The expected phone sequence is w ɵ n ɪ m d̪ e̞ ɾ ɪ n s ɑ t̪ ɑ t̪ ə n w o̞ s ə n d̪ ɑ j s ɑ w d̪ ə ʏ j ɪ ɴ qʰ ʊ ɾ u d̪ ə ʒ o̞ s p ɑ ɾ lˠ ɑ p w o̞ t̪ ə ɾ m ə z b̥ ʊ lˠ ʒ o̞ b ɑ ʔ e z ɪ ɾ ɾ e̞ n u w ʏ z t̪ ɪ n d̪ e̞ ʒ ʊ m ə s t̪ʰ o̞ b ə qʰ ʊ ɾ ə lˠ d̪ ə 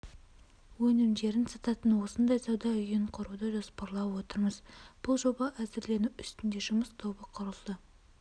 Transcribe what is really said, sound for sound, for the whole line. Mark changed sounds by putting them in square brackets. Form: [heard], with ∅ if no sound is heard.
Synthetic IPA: w ɵ n ɪ m d̪ e̞ ɾ ɪ n s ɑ t̪ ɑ t̪ ə n w o̞ s ə n d̪ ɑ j s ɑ w d̪ [ɑ] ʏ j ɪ ɴ qʰ ʊ ɾ u d̪ ə ʒ o̞ s p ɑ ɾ lˠ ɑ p w o̞ t̪ ə ɾ m ə z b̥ ʊ lˠ ʒ o̞ b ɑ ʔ [æ] z ɪ ɾ [l] e̞ n u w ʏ [s] t̪ ɪ n d̪ e̞ ʒ ʊ m ə s t̪ʰ o̞ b ə qʰ ʊ ɾ ə lˠ d̪ ə